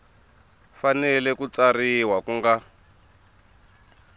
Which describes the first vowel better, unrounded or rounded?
unrounded